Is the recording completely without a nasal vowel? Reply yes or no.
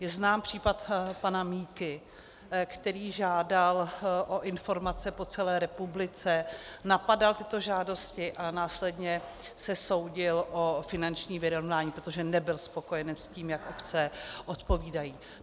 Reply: yes